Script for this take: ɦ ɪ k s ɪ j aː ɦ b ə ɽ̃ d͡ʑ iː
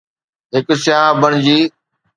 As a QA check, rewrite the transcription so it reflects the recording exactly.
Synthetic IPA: ɦ ɪ k s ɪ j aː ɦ b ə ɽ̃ d͡ʑ iː